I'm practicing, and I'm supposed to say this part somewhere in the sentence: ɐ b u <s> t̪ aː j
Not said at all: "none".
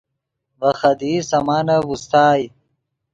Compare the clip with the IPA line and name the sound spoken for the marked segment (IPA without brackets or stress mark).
s